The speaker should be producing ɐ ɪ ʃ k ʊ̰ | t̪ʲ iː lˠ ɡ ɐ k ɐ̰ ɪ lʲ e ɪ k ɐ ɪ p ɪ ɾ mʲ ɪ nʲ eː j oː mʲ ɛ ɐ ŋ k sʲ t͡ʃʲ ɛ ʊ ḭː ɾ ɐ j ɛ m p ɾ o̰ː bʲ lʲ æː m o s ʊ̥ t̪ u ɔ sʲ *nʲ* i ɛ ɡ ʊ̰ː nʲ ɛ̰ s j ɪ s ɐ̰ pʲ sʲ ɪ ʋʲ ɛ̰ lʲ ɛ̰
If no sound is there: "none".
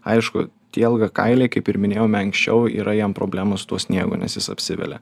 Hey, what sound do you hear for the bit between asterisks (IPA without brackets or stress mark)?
nʲ